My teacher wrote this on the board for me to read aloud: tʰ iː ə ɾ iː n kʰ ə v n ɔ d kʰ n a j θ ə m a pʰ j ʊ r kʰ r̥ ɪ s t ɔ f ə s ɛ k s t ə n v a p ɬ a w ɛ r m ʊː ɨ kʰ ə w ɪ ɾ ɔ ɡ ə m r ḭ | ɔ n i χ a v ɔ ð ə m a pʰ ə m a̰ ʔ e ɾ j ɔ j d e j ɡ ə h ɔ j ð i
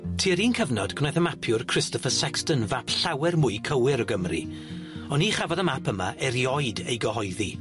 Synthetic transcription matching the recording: tʰ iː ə ɾ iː n kʰ ə v n ɔ d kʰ n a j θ ə m a pʰ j ʊ r kʰ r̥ ɪ s t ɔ f ə s ɛ k s t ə n v a p ɬ a w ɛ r m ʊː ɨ kʰ ə w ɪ ɾ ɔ ɡ ə m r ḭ | ɔ n i χ a v ɔ ð ə m a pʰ ə m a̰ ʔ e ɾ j ɔ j d e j ɡ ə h ɔ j ð i